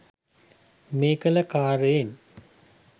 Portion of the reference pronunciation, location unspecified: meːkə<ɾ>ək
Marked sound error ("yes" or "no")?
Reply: yes